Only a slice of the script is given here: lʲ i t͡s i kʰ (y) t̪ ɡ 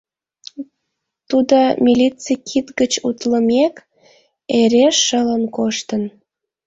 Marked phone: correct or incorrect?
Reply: incorrect